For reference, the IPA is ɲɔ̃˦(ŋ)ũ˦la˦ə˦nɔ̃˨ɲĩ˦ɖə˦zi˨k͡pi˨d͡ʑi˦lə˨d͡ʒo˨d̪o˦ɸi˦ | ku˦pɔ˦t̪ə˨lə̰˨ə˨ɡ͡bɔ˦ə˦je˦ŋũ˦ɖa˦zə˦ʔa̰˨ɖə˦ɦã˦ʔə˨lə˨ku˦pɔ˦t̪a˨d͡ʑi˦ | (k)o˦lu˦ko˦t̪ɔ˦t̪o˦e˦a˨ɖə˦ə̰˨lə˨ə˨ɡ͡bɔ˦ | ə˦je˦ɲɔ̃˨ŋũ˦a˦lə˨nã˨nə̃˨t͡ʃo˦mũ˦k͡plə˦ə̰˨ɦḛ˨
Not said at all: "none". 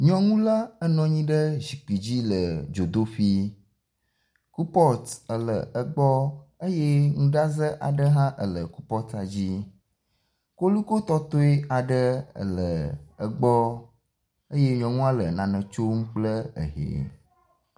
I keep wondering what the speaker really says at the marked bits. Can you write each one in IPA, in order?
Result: ŋ, k

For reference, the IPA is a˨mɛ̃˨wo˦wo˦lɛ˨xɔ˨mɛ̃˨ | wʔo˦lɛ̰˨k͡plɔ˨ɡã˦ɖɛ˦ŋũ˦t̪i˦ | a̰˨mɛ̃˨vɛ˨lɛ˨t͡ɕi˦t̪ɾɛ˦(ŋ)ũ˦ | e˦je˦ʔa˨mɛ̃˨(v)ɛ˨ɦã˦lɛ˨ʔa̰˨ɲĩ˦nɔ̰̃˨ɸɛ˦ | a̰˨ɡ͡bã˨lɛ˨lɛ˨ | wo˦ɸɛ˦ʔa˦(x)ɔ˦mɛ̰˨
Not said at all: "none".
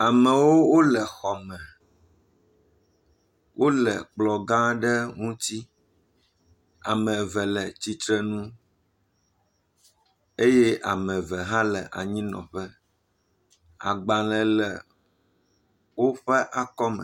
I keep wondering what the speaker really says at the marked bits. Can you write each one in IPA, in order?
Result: n, v, k

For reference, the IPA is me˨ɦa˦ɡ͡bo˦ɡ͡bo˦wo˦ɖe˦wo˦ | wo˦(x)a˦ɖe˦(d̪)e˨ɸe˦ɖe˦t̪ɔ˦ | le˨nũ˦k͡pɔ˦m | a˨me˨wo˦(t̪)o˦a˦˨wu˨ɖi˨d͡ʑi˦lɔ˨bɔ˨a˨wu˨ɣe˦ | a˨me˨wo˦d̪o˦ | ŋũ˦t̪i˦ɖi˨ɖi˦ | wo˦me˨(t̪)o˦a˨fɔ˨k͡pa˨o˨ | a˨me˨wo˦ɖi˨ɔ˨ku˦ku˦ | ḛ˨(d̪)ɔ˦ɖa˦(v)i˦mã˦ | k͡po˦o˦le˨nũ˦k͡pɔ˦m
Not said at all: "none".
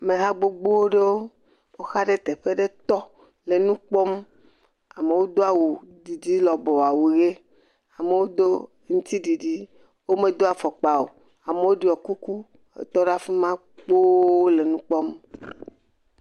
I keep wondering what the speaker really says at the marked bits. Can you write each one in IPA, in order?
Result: x, t̪, d̪, d̪, t̪, f

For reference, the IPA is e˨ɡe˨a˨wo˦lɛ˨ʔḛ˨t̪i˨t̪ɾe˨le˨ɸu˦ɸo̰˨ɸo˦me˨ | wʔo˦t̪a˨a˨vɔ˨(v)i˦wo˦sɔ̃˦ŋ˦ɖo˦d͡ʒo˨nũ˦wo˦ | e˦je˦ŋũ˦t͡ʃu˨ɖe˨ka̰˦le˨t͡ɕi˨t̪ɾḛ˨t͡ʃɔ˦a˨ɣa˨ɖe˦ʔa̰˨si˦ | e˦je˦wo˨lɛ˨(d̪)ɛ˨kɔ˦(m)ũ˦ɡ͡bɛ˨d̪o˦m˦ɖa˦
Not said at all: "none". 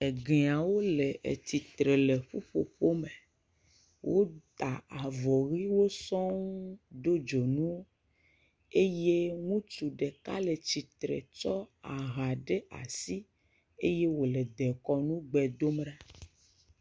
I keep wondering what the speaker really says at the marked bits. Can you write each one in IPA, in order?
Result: ɣ, d̪, n

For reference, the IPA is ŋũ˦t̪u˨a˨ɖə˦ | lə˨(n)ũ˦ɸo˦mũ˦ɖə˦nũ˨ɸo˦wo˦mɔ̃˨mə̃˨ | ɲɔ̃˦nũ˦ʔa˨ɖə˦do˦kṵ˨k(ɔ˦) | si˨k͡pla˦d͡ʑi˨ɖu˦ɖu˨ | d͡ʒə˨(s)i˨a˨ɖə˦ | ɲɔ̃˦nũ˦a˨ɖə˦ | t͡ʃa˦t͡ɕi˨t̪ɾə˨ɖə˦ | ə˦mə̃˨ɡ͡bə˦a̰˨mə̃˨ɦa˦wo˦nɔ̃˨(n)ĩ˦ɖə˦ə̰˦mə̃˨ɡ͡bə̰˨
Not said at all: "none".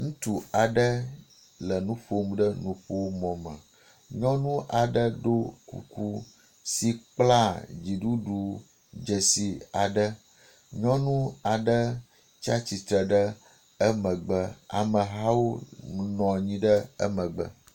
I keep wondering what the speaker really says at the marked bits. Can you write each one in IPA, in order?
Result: n, u˦, s, ɲ

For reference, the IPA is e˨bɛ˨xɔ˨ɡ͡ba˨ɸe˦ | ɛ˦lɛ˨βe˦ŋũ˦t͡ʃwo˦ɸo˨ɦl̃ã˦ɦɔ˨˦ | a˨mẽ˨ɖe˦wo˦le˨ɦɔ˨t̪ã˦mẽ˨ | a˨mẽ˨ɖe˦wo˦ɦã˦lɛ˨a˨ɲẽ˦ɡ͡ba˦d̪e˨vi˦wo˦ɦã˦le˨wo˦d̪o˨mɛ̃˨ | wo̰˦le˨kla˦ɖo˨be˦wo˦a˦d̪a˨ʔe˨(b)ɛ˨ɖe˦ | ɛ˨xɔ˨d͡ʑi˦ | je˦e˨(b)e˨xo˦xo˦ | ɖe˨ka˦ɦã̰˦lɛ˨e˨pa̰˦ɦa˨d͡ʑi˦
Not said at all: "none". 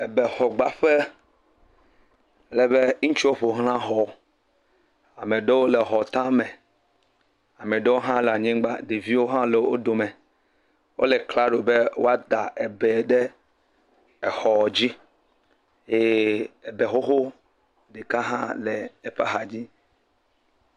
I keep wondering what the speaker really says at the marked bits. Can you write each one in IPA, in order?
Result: b, b

